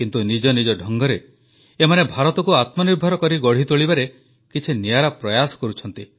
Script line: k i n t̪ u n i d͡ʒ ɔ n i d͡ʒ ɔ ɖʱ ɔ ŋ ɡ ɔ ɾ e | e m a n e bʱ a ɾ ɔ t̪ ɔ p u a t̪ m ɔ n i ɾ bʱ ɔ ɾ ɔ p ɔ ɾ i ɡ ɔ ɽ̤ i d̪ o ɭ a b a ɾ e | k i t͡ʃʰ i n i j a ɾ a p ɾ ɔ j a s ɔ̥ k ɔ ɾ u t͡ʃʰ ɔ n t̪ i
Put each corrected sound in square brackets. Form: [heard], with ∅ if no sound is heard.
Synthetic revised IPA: k i n t̪ u n i d͡ʒ ɔ n i d͡ʒ ɔ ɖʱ ɔ ŋ ɡ ɔ ɾ e | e m a n e bʱ a ɾ ɔ t̪ ɔ [k] u a t̪ m ɔ n i ɾ bʱ ɔ ɾ ɔ [k] ɔ ɾ i ɡ ɔ ɽ̤ i [t̪] o ɭ [i] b a ɾ e | k i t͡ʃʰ i n i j a ɾ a p ɾ ɔ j a s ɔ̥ k ɔ ɾ u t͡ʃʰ ɔ n t̪ i